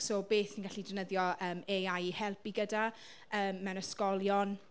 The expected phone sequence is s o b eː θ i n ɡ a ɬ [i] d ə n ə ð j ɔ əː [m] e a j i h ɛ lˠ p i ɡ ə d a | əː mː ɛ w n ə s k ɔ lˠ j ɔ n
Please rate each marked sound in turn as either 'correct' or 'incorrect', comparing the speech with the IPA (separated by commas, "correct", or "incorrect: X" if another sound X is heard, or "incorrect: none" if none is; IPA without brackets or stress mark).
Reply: correct, correct